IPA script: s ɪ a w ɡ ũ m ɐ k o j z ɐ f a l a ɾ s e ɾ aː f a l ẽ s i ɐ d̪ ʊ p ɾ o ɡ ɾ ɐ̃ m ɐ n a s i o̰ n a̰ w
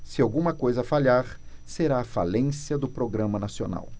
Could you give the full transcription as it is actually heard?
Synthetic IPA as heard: s ɪ a w ɡ ũ m ɐ k o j z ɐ f a ʎ a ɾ s e ɾ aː f a l ẽ s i ɐ d̪ ʊ p ɾ o ɡ ɾ ɐ̃ m ɐ n a s i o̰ n a̰ w